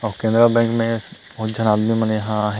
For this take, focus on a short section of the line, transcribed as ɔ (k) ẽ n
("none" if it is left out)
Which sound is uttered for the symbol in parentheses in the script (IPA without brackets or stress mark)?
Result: k